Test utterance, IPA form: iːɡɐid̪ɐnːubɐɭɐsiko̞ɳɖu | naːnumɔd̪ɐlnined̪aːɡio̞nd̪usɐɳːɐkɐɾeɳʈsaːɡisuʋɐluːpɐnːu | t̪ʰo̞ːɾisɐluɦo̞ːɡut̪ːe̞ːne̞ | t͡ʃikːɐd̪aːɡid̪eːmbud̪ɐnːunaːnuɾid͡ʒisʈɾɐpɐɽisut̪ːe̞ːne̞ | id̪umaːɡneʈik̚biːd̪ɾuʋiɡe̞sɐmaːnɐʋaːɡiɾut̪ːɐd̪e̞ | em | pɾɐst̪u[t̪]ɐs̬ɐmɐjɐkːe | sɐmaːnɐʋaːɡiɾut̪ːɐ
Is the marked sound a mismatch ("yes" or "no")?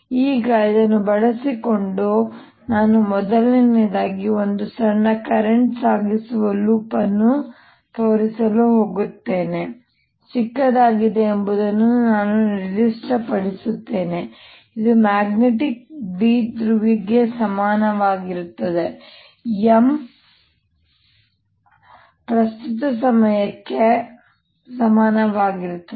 no